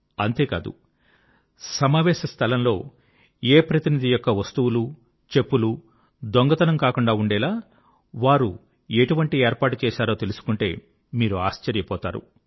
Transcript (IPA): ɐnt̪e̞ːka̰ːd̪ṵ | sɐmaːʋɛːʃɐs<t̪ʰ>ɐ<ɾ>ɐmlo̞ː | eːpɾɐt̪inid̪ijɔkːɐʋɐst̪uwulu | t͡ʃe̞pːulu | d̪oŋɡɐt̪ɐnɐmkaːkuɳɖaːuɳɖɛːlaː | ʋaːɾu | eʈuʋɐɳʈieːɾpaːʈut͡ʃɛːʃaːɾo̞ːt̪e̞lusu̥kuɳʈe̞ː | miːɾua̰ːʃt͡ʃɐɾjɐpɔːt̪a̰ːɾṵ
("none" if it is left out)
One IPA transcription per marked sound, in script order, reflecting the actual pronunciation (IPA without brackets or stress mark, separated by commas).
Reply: t̪ʰ, l